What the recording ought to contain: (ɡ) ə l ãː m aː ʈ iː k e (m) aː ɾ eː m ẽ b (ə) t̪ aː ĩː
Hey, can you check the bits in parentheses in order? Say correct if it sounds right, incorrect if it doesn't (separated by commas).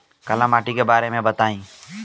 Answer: incorrect, incorrect, correct